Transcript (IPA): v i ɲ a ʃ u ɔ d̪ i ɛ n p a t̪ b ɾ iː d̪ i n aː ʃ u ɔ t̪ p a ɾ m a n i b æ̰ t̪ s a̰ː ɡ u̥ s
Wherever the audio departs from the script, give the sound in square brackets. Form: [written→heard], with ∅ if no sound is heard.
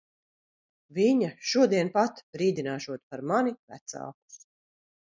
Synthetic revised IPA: v i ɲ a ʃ u ɔ d̪ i ɛ n p a t̪ b ɾ iː d̪ i n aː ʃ u ɔ t̪ p a ɾ m a n i [b→v] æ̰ t̪ s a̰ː [ɡ→k] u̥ s